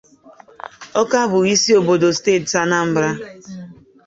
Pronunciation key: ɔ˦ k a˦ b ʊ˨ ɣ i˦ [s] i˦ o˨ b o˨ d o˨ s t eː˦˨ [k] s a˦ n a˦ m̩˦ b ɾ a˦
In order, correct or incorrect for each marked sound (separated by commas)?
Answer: correct, incorrect